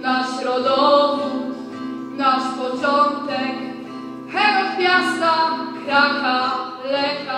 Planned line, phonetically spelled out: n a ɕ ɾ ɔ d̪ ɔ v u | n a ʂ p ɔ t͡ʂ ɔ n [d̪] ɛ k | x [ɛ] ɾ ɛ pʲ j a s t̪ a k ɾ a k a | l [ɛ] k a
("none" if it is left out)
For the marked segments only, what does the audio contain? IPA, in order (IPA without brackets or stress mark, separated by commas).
t̪, ɛ, ɛ